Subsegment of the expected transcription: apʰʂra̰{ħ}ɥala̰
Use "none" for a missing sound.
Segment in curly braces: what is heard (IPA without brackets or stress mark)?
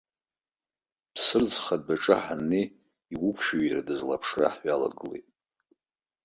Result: ħ